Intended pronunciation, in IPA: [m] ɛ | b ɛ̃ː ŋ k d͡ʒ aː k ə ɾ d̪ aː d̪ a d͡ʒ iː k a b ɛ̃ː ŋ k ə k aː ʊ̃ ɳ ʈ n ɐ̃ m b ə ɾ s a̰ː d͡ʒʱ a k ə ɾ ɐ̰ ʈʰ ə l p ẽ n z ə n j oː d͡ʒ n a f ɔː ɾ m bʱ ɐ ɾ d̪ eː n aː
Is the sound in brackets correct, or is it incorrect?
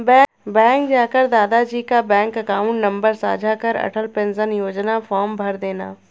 incorrect